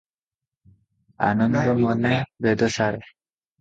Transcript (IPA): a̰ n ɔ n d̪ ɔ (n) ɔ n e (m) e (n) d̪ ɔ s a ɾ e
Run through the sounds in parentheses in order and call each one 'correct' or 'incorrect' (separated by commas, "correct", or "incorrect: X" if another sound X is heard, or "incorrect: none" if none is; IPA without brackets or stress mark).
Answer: incorrect: m, incorrect: b, incorrect: none